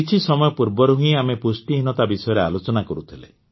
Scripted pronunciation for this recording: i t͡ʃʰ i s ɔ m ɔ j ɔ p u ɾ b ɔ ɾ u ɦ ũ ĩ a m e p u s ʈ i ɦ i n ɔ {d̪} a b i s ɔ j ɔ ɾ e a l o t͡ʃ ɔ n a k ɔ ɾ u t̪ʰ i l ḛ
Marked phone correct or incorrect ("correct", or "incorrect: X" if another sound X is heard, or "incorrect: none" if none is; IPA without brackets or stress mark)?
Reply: incorrect: t̪